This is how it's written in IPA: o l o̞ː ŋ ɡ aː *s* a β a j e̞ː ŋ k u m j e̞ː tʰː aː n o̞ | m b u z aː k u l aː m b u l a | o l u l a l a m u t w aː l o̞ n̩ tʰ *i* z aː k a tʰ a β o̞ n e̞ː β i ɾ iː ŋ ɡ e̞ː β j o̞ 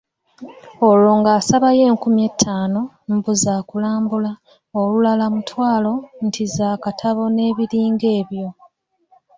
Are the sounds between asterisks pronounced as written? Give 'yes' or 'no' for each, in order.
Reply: yes, yes

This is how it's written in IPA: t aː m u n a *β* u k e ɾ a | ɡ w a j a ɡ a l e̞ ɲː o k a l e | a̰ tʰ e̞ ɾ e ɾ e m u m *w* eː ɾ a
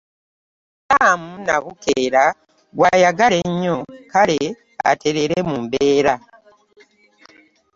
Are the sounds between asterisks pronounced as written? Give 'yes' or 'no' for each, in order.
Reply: yes, no

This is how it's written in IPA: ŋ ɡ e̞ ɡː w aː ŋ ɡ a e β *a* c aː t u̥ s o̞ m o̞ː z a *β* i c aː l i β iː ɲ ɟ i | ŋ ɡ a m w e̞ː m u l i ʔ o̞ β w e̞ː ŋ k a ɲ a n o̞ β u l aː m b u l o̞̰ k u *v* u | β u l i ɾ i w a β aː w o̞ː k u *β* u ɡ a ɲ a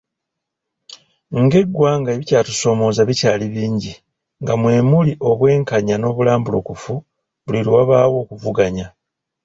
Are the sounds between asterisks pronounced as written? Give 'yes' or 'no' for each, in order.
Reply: no, yes, no, no

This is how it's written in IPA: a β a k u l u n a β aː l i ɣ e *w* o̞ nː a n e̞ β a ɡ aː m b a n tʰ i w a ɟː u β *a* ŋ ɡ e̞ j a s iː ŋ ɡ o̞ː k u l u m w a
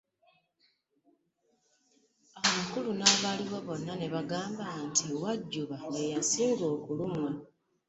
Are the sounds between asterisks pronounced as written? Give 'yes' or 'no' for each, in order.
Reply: no, yes

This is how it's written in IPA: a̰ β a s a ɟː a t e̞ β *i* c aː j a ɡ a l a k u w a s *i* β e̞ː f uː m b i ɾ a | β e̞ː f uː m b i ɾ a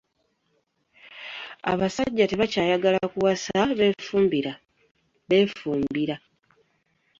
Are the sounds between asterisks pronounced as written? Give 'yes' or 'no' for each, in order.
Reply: no, no

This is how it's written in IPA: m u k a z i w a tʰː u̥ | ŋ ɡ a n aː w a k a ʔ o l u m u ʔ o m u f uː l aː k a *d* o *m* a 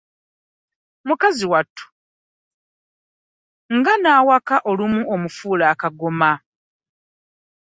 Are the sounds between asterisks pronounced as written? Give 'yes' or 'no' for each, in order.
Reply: no, yes

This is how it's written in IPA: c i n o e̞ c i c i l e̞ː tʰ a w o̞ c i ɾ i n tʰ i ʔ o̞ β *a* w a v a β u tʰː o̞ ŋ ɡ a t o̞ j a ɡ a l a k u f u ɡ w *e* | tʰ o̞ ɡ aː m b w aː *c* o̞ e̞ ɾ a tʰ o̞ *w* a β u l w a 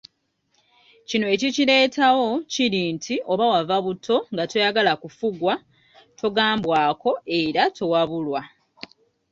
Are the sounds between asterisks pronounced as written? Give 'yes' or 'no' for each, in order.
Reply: yes, no, no, yes

